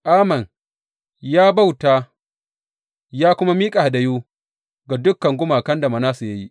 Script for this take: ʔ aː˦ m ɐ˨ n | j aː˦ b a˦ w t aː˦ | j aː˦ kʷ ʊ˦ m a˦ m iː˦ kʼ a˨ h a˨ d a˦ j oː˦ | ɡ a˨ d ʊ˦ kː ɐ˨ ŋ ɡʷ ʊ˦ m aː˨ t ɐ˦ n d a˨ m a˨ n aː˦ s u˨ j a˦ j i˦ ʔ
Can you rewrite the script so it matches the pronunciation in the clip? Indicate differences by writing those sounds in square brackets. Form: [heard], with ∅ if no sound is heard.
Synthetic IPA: ʔ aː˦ m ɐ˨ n | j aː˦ b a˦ w t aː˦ | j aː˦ kʷ ʊ˦ m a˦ m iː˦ kʼ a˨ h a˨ d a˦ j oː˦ | ɡ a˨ d ʊ˦ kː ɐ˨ ŋ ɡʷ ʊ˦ m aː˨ [k] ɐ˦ n d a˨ m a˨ n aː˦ s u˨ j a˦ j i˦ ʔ